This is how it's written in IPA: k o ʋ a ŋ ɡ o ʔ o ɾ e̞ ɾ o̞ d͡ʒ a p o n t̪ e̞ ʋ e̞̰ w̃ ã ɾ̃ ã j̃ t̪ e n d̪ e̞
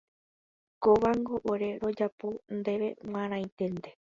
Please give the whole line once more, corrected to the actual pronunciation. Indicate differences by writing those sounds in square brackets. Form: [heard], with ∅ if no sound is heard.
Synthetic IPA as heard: k o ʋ a ŋ ɡ o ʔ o ɾ e̞ ɾ o̞ d͡ʒ a p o n [d̪] e̞ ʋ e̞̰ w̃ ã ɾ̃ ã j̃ t̪ e n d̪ e̞